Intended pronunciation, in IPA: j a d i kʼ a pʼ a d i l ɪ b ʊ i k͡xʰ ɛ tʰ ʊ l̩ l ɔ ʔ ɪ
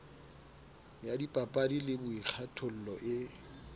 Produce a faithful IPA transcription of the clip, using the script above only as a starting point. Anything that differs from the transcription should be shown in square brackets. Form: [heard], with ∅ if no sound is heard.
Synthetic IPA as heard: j a d i [pʼ] a pʼ a d i l ɪ b ʊ i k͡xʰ [a] tʰ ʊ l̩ l ɔ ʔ ɪ